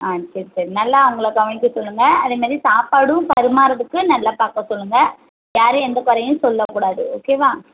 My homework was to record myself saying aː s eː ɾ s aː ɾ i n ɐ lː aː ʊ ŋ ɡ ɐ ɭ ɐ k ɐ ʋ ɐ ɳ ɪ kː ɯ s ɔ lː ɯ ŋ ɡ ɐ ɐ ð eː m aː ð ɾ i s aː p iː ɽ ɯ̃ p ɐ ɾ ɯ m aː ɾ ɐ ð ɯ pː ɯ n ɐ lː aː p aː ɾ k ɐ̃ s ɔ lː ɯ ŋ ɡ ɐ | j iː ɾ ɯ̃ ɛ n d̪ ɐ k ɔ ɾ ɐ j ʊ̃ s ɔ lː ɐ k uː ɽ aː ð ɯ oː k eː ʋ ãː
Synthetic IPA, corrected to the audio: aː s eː ɾ s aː ɾ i n ɐ lː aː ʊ ŋ ɡ ɐ ɭ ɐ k ɐ ʋ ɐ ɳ ɪ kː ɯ s ɔ lː ɯ ŋ ɡ ɐ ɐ ð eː m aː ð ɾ i s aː p aː ɽ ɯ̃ p ɐ ɾ ɯ m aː ɾ ɐ ð ɯ kː ɯ n ɐ lː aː p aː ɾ k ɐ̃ s ɔ lː ɯ ŋ ɡ ɐ | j aː ɾ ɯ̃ ɛ n d̪ ɐ k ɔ ɾ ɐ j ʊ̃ s ɔ lː ɐ k uː ɽ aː ð ɯ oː k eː ʋ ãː